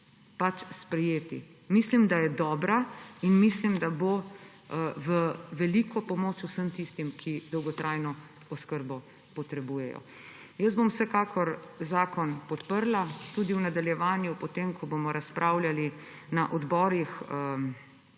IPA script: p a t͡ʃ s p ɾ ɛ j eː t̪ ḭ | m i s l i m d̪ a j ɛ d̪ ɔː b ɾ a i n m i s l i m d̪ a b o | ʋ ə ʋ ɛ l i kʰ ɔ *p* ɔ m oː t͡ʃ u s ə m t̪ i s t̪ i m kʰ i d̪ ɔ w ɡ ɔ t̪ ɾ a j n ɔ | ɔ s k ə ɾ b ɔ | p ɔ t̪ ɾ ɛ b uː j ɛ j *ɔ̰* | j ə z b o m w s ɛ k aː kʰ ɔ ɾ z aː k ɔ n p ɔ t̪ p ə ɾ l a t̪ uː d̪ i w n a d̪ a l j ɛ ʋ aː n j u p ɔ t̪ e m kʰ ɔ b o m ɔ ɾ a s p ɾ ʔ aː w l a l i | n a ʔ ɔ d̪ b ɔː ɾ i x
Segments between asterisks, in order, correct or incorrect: correct, correct

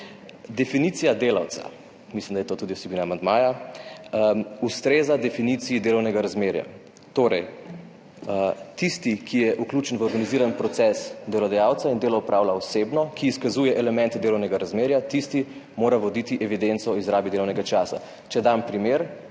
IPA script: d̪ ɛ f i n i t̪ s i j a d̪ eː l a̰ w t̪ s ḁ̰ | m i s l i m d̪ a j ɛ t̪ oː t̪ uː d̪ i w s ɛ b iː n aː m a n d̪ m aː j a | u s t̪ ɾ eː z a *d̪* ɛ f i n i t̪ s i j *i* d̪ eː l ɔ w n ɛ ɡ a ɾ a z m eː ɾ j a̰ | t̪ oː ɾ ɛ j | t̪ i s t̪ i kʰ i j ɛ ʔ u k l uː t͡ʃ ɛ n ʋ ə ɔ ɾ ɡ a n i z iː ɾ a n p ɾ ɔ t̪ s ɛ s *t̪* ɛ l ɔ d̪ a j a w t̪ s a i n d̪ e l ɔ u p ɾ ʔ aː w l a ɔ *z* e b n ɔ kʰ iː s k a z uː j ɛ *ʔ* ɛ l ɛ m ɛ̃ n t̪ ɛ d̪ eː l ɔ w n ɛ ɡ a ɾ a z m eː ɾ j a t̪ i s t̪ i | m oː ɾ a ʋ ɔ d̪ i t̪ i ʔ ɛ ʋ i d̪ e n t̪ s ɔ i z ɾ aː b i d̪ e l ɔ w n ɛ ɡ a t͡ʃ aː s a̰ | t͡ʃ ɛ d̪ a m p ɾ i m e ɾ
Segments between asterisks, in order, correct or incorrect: correct, correct, incorrect, incorrect, correct

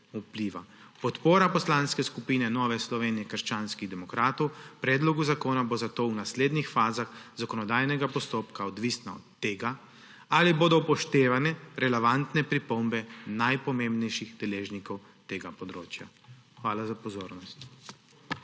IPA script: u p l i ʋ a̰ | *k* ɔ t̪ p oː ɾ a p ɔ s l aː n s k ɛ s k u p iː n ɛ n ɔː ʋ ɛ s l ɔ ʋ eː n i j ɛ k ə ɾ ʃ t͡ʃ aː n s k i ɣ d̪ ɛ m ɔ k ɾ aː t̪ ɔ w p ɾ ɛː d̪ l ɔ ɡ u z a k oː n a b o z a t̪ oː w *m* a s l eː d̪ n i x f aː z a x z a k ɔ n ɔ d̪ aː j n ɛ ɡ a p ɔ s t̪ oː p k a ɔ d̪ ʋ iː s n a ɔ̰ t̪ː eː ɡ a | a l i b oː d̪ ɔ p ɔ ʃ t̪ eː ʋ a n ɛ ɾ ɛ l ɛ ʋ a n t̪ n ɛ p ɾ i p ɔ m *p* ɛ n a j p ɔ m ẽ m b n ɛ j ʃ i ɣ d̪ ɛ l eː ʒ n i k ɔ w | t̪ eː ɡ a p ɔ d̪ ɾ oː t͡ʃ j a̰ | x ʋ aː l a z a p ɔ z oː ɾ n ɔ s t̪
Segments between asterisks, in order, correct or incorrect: incorrect, incorrect, incorrect

